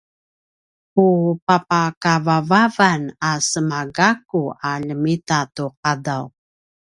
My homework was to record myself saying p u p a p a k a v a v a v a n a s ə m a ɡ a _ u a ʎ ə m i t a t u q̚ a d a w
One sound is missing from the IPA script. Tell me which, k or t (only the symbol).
k